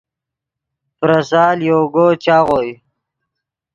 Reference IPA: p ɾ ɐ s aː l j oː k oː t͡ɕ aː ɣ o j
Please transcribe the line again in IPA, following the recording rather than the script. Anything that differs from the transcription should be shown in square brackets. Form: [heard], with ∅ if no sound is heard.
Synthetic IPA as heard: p ɾ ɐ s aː l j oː [ɡ] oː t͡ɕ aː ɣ o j